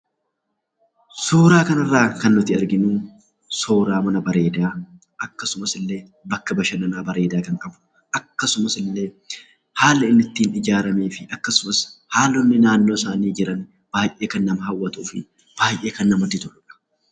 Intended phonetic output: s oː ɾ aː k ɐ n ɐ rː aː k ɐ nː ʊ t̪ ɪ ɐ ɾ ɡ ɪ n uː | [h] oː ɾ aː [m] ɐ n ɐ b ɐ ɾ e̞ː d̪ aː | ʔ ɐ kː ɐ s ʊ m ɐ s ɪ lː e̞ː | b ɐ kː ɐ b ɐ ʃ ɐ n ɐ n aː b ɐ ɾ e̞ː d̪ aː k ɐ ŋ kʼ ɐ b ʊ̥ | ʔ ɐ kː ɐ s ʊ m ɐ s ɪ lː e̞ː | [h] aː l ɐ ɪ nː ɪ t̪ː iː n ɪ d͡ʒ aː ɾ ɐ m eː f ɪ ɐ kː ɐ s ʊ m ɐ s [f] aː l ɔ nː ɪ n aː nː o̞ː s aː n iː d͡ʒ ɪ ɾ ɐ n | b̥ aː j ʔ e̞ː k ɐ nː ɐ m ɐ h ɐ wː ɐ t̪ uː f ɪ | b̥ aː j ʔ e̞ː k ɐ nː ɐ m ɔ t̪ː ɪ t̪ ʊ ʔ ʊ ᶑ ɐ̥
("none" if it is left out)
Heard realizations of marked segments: s, m, h, h

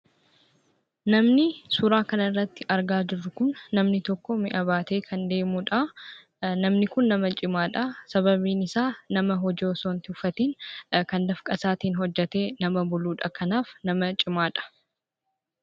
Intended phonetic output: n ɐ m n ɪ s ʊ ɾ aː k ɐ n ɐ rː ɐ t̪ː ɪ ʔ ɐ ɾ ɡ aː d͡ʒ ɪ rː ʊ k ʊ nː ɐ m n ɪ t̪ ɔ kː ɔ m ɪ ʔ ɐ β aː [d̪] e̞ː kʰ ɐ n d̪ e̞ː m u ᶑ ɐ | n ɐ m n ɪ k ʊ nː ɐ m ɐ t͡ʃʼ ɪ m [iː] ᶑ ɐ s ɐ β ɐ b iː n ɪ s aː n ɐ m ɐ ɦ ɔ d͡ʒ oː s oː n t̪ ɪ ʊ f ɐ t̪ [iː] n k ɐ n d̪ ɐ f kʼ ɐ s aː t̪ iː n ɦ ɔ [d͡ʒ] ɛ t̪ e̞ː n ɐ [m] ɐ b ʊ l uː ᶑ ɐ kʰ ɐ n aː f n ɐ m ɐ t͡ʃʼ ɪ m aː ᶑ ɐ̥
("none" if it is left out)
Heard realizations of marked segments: t̪, aː, iː, d͡ʒː, m

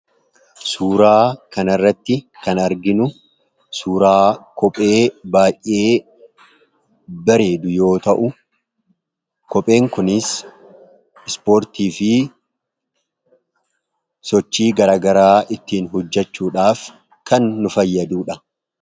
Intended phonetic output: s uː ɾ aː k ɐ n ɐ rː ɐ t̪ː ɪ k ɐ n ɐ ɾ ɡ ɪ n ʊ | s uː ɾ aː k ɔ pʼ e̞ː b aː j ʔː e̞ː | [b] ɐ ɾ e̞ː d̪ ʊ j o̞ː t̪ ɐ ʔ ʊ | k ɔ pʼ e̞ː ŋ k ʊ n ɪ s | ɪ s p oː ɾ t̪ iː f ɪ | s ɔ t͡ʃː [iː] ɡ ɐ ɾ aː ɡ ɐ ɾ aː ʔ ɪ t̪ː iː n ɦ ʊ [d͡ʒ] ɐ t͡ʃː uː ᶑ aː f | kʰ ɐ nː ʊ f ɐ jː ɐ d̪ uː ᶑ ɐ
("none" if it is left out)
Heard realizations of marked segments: b, iː, d͡ʒː

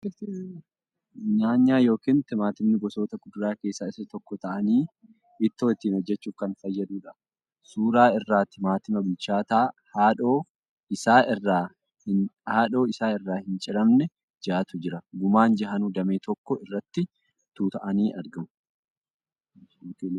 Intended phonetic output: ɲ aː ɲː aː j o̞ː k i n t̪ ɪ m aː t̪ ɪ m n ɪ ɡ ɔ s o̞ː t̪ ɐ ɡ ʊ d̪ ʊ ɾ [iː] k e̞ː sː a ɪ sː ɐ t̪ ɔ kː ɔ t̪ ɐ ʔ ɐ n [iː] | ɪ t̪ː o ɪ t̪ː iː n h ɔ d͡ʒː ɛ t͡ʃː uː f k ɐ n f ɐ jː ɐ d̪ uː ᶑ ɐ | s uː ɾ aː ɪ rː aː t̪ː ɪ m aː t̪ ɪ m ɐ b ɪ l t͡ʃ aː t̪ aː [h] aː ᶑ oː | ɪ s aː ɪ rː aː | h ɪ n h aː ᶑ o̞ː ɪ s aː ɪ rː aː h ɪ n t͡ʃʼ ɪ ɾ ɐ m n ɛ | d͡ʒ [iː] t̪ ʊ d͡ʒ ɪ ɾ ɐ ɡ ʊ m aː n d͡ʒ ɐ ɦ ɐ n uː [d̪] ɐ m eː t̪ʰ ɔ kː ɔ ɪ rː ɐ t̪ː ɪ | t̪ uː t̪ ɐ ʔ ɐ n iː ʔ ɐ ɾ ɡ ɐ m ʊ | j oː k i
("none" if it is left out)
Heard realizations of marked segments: aː, iː, h, aː, d̪

